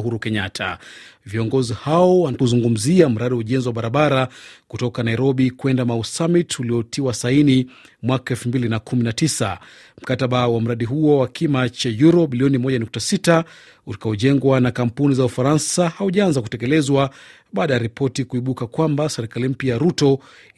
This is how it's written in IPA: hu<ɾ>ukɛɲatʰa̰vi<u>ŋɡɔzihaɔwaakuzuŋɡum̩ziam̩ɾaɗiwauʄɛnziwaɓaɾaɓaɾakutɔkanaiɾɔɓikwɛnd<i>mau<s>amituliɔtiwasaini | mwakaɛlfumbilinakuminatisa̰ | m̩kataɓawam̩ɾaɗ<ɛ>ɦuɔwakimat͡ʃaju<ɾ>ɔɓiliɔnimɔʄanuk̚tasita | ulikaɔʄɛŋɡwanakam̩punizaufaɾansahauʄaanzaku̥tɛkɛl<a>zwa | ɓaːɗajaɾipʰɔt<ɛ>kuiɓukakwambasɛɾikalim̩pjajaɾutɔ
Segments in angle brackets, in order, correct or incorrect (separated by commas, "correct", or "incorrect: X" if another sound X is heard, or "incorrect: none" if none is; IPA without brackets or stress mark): correct, incorrect: ɔ, incorrect: a, correct, incorrect: i, correct, incorrect: ɛ, incorrect: i